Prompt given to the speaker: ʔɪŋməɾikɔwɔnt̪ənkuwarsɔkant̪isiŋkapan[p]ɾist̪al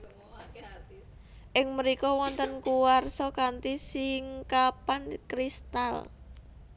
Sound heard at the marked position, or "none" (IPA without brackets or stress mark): k